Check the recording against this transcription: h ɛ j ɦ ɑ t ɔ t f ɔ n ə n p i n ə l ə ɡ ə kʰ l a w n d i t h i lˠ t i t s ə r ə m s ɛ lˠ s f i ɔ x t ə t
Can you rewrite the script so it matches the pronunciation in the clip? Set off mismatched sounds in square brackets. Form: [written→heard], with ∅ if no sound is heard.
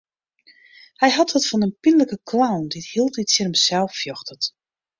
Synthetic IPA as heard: h ɛ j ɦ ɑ t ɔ t f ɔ n ə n p i n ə l ə [ɡ→k] ə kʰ l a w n d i t h i lˠ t i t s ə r ə m s ɛ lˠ [s→f] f [i→j] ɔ x t ə t